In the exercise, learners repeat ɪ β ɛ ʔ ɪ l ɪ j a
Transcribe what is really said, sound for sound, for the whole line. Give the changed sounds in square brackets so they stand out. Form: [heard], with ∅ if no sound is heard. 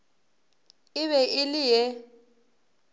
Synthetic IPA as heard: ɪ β ɛ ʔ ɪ l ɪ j [ɛ]